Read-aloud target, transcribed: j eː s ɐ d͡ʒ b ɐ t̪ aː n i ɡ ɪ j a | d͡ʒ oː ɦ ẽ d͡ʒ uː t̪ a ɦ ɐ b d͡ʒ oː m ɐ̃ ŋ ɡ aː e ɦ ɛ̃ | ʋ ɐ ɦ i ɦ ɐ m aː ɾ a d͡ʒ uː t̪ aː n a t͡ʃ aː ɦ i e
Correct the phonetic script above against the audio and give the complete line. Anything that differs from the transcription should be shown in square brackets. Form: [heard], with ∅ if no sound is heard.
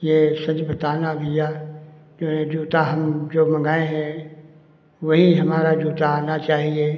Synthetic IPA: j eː s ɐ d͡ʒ b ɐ t̪ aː n [a] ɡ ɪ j a | d͡ʒ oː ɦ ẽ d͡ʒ uː t̪ a ɦ ɐ [m] d͡ʒ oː m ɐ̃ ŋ ɡ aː e ɦ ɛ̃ | ʋ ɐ ɦ i ɦ ɐ m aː ɾ a d͡ʒ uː t̪ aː n a t͡ʃ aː ɦ i e